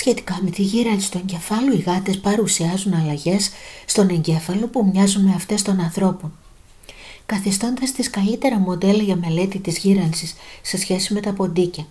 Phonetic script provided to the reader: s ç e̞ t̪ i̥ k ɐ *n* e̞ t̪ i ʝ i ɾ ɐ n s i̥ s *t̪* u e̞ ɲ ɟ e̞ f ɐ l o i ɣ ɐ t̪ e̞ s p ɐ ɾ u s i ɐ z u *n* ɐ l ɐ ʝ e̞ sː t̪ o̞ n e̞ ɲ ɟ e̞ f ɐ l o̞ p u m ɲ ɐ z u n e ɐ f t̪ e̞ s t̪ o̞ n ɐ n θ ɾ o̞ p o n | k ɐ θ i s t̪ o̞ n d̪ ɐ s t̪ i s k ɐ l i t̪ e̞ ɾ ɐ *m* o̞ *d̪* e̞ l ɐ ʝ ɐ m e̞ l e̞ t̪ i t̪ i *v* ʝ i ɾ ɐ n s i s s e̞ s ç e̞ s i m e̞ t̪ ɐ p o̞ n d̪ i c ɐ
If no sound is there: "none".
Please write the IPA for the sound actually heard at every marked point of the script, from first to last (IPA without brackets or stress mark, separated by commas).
m, t̪, n, m, d̪, z